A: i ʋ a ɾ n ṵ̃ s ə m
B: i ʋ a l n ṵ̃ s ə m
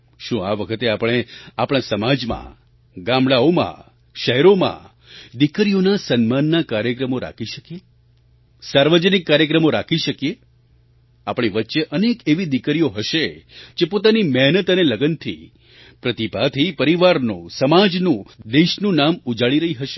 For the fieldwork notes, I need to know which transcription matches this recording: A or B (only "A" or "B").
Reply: A